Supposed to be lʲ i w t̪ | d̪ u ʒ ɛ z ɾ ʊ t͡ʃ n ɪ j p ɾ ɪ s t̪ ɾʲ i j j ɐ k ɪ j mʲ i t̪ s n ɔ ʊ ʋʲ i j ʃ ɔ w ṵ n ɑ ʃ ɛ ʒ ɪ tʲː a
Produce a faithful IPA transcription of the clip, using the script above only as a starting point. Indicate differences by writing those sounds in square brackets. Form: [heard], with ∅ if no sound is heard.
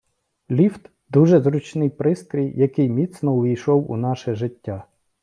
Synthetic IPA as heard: lʲ i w t̪ | d̪ u ʒ ɛ z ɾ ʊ t͡ʃ n ɪ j p ɾ ɪ s t̪ ɾʲ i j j ɐ k ɪ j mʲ i t̪ s n ɔ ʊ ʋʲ i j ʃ ɔ w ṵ n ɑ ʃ ɛ ʒ ɪ tʲː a